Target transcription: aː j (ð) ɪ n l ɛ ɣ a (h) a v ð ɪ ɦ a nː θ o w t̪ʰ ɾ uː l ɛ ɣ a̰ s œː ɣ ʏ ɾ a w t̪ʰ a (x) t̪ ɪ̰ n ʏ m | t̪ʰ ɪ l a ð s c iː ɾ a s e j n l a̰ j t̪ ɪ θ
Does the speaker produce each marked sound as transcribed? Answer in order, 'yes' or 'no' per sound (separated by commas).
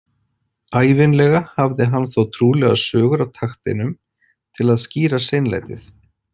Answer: no, yes, yes